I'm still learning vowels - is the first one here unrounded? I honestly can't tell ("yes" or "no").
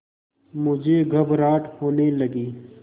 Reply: no